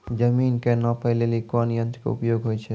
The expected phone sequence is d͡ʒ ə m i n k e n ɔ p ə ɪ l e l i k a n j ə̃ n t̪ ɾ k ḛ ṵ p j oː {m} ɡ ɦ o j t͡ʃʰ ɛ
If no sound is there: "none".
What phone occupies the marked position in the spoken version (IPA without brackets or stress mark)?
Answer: none